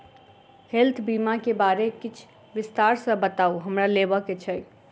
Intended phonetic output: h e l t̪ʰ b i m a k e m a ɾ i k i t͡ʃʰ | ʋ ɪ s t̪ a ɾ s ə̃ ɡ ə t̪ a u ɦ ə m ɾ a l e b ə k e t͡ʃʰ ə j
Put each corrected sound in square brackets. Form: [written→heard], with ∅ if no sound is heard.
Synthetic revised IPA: h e l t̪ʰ b i m a k e [m→b] a ɾ [i→e] k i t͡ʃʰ | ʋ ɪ s t̪ a ɾ s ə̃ [ɡ→b] ə t̪ a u ɦ ə m ɾ a l e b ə k e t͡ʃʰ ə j